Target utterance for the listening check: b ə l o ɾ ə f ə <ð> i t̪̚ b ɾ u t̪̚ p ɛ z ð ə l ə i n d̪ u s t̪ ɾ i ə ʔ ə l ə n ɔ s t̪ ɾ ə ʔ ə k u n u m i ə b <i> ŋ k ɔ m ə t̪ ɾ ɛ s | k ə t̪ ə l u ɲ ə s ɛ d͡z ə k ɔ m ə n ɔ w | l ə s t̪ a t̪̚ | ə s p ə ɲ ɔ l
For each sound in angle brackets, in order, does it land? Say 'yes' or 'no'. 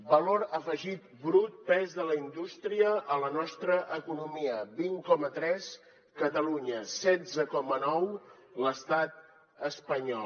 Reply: no, yes

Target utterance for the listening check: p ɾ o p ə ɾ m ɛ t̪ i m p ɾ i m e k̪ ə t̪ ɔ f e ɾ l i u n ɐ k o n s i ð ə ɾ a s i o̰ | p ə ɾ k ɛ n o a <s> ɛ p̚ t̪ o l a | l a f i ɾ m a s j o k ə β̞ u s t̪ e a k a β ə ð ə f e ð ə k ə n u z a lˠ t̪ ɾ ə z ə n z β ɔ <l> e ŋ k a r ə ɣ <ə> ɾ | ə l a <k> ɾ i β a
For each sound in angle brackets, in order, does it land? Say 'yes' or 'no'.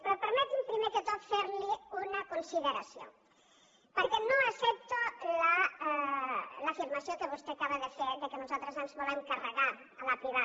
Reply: yes, yes, no, no

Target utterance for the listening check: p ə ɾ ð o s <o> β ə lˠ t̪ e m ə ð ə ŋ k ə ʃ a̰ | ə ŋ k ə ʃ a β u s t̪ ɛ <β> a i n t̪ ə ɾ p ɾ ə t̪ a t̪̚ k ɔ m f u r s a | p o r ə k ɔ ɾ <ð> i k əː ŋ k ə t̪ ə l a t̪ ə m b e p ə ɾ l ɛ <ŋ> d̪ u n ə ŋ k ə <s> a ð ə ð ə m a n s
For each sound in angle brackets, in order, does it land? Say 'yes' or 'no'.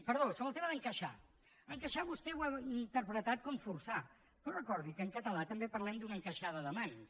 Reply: yes, no, yes, no, no

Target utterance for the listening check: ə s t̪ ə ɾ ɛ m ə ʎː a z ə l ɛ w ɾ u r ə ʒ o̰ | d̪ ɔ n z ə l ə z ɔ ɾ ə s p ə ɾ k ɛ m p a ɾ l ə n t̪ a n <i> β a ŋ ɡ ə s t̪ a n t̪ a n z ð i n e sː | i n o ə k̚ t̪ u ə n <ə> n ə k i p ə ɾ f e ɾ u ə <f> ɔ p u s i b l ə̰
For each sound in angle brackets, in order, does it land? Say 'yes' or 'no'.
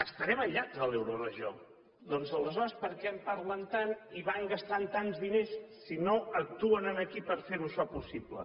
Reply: yes, yes, no

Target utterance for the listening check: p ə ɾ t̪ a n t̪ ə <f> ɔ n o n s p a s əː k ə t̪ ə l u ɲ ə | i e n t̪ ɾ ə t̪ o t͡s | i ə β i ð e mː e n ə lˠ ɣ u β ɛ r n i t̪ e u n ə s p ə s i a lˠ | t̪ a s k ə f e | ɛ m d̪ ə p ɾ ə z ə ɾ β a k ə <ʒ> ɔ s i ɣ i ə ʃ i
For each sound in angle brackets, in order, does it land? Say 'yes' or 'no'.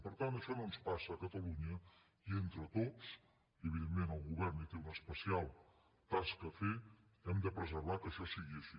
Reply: no, no

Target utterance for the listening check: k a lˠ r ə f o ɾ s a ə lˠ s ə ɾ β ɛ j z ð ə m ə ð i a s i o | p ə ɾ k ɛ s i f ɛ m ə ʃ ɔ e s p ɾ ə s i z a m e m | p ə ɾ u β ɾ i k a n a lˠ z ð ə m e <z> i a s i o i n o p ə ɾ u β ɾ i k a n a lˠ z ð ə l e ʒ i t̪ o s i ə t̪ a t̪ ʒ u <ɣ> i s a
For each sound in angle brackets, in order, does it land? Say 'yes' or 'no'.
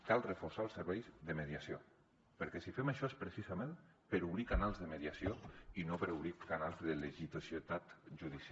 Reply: no, no

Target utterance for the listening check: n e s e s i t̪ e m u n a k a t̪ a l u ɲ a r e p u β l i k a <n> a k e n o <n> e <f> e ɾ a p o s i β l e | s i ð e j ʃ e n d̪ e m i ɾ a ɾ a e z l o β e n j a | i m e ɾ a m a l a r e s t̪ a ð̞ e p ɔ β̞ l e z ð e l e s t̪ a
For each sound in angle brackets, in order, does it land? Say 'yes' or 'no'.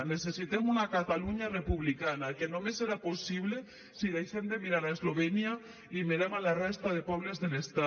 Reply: yes, no, no

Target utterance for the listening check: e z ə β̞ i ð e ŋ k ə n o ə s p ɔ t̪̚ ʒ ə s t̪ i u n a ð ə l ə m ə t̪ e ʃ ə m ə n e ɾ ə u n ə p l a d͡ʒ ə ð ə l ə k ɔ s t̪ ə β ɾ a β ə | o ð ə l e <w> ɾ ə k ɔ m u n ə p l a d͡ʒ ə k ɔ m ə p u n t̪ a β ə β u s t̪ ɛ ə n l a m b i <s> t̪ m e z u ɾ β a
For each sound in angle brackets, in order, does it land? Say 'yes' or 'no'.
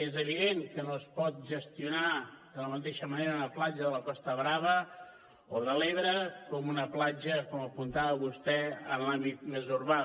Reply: no, no

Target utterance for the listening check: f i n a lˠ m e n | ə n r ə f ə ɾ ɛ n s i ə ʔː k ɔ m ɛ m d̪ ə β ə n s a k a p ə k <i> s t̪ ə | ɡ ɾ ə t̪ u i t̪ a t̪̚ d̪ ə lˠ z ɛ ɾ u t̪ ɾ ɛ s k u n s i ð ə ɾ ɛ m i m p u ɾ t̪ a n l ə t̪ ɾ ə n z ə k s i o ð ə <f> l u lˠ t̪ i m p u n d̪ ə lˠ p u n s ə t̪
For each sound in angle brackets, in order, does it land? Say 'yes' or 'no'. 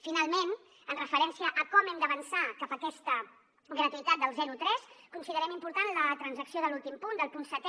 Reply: no, no

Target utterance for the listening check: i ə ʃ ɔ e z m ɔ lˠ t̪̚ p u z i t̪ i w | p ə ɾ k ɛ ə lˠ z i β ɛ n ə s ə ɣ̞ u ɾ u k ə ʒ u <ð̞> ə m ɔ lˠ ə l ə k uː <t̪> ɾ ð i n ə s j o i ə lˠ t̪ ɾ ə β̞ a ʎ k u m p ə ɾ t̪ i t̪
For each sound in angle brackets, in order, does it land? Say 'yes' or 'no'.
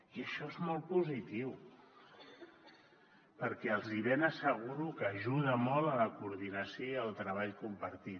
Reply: yes, no

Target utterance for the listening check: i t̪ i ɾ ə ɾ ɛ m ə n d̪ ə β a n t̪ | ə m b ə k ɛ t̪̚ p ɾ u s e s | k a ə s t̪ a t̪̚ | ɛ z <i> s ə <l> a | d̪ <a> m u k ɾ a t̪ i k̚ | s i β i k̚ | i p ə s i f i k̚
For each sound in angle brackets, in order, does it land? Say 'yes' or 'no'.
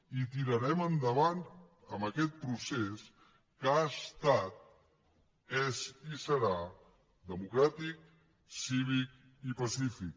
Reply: yes, no, no

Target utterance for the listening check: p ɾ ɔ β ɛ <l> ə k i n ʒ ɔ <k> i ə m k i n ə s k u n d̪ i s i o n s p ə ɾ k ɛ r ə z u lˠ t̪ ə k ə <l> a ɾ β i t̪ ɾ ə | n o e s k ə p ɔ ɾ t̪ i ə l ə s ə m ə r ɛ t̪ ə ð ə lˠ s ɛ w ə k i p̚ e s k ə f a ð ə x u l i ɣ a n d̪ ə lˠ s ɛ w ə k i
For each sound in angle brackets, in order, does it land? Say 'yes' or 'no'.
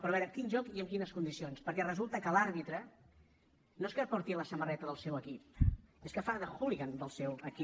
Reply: no, yes, yes

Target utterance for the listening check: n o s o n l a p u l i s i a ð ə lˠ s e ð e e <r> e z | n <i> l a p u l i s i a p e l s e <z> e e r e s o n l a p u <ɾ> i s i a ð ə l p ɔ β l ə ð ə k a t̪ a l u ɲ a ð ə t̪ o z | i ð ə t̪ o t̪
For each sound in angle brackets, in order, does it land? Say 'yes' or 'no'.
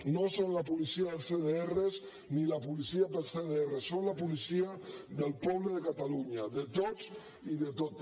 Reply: yes, yes, no, no

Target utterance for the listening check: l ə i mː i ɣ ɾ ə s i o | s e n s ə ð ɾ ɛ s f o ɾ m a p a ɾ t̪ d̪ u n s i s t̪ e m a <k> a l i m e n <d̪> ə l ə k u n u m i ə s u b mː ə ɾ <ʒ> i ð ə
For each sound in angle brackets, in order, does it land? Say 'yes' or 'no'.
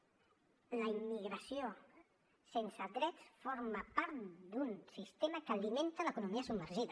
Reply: yes, no, yes

